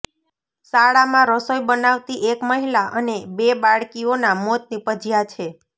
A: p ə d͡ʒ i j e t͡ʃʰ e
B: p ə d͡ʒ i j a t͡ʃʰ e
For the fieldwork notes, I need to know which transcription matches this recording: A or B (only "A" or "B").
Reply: B